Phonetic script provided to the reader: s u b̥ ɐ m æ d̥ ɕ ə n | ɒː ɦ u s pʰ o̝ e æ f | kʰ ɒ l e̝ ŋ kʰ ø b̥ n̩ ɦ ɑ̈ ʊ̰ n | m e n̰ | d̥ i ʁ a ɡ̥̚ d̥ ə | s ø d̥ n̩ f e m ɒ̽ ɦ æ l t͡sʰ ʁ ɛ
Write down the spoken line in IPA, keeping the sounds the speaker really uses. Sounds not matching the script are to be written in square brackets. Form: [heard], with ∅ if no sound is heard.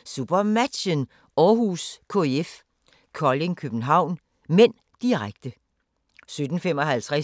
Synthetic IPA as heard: s u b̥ ɐ m æ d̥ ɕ ə n | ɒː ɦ u s [kʰ] o̝ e [e] f | kʰ ɒ l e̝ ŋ kʰ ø b̥ n̩ ɦ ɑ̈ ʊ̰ n | m e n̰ | d̥ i ʁ a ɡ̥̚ d̥ ə | s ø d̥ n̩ f e m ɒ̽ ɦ æ l t͡sʰ ʁ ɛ

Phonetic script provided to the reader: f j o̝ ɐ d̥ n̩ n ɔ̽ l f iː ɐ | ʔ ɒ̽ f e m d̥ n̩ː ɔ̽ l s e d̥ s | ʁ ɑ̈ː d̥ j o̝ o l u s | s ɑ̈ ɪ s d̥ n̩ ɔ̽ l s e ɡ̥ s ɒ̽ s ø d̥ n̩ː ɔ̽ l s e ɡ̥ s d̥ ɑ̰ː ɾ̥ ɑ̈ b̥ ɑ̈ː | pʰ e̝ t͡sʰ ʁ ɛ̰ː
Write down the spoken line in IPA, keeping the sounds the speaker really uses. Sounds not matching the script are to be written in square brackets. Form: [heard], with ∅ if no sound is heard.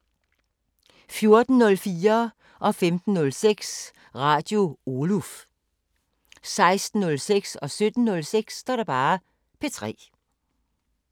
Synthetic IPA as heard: f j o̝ ɐ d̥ n̩ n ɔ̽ l f iː ɐ | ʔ ɒ̽ f e m d̥ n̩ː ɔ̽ l s e [ɡ̥] s | ʁ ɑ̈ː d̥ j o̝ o l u [f] | s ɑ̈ ɪ s d̥ n̩ ɔ̽ l s e ɡ̥ s ɒ̽ s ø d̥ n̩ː ɔ̽ l s e ɡ̥ s d̥ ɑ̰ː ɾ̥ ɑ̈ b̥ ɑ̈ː | pʰ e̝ t͡sʰ ʁ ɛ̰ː

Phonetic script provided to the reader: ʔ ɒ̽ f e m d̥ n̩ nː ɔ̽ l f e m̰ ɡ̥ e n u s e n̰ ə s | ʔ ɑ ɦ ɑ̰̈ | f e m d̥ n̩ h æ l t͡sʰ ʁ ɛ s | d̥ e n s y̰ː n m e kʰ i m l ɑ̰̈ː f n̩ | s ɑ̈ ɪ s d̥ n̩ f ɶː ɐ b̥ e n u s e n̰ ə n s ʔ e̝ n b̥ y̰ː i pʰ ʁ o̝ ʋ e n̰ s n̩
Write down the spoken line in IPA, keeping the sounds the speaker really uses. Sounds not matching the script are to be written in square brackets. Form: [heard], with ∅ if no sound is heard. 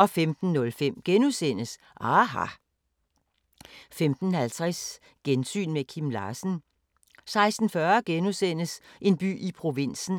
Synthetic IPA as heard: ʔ ɒ̽ f e m d̥ n̩ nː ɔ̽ l f e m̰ ɡ̥ e n u s e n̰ ə s | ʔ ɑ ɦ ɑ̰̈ | f e m d̥ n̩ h æ l t͡sʰ ʁ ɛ s | [ɡ̥] e n s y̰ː n m e kʰ i m l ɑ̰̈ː [s] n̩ | s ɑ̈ ɪ s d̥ n̩ f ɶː ɐ [ɡ̥] e n u s e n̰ ə [∅] s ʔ e̝ n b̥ y̰ː i pʰ ʁ o̝ ʋ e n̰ s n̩

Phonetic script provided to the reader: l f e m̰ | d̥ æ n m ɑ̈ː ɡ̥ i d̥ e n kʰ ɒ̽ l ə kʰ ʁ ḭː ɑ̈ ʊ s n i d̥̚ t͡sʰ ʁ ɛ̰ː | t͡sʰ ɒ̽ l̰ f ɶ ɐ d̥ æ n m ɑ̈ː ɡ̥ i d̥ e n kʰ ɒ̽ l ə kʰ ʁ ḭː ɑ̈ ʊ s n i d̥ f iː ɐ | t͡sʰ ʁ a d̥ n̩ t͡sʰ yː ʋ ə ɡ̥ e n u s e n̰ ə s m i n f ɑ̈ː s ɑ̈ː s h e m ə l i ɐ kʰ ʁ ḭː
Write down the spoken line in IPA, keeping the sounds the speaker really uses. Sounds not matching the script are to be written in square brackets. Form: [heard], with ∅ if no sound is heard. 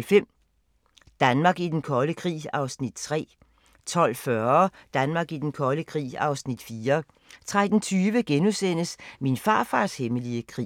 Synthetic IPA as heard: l f e m̰ | d̥ æ n m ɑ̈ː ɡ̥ i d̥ e n kʰ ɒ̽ l ə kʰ ʁ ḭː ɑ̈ ʊ s n i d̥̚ t͡sʰ ʁ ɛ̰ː | t͡sʰ ɒ̽ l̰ f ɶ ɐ d̥ æ n m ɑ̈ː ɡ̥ i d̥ e n kʰ ɒ̽ l ə kʰ ʁ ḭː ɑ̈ ʊ s n i d̥ f iː ɐ | t͡sʰ ʁ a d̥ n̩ t͡sʰ yː ʋ ə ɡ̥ e n u s e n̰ ə s m i n f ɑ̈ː [f] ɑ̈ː s h e m ə l i [ə] kʰ ʁ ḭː

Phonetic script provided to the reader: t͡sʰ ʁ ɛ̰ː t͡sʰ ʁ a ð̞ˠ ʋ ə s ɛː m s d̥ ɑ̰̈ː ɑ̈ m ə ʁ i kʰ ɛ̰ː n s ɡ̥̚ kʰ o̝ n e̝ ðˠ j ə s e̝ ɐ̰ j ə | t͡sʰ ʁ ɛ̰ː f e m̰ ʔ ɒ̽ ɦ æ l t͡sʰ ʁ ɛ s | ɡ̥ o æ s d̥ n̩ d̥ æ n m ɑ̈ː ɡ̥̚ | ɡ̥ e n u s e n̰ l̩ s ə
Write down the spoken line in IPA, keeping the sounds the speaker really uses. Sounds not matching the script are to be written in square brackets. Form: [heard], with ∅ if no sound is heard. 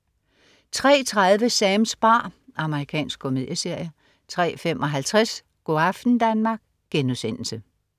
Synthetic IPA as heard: t͡sʰ ʁ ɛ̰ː t͡sʰ ʁ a ð̞ˠ ʋ ə s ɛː m s [b̥] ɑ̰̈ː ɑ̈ m ə ʁ i kʰ ɛ̰ː n s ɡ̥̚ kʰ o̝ [m] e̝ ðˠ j ə s e̝ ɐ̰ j ə | t͡sʰ ʁ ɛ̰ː f e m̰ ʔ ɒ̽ ɦ æ l t͡sʰ ʁ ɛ s | ɡ̥ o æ [f] d̥ n̩ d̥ æ n m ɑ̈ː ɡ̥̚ | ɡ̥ e n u s e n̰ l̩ s ə

